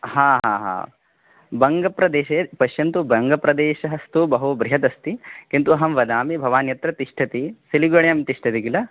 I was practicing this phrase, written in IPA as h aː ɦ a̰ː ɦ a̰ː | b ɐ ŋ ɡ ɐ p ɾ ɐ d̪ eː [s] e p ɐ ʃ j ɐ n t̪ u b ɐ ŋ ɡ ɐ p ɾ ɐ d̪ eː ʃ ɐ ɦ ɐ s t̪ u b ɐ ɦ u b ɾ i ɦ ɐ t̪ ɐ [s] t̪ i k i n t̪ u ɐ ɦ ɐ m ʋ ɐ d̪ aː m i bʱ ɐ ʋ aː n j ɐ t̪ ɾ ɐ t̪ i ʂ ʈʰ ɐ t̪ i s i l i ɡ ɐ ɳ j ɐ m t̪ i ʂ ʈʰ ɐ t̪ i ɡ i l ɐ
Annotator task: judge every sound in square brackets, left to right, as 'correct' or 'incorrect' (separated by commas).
incorrect, correct